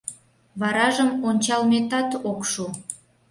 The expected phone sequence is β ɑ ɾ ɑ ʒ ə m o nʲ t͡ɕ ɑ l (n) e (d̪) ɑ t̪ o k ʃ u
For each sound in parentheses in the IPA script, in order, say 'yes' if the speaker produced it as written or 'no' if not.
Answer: no, no

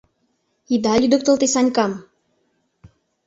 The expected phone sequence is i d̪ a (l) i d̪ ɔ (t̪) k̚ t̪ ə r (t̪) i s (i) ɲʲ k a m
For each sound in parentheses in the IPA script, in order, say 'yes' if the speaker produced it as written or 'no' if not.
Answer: yes, no, yes, no

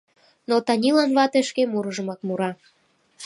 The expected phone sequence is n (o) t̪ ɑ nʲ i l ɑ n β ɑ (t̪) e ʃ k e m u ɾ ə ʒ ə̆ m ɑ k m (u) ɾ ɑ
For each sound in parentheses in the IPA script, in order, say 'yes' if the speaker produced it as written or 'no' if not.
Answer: yes, yes, yes

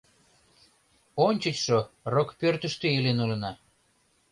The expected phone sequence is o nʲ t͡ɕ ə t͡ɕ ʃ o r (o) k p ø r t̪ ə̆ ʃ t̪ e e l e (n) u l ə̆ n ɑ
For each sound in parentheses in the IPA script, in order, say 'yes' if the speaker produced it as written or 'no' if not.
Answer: yes, yes

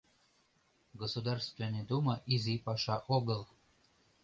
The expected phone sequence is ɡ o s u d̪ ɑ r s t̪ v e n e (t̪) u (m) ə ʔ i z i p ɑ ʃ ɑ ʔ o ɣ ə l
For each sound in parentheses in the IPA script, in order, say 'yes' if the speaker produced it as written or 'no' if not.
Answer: no, yes

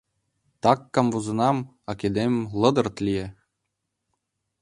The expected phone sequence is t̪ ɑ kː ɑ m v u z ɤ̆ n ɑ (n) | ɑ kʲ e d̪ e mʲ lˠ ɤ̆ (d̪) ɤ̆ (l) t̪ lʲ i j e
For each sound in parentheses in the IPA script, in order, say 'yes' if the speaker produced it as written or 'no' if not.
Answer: no, yes, no

